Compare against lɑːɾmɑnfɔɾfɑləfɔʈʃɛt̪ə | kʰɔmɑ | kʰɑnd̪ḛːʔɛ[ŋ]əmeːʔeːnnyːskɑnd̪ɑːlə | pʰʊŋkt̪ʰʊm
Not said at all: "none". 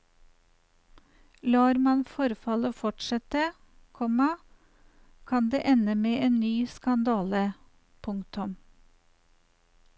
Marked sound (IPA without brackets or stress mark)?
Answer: n